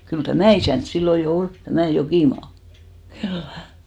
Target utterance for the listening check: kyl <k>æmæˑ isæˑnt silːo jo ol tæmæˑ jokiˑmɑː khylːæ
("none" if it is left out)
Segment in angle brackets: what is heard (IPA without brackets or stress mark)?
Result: t